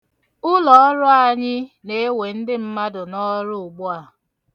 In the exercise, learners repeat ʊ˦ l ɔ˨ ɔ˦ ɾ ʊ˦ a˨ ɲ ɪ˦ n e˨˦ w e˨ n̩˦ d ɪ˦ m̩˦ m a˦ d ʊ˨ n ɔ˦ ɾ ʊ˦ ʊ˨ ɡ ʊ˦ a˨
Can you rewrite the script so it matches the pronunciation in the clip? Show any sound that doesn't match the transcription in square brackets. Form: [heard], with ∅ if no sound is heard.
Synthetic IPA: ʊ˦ l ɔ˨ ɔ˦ ɾ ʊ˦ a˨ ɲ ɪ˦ n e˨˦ w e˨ n̩˦ d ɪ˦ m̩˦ m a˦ d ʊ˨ n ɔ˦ ɾ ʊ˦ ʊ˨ [ɡ͡b] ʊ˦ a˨